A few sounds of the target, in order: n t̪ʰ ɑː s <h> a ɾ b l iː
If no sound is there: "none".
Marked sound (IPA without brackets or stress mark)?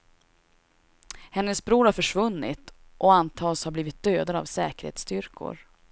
h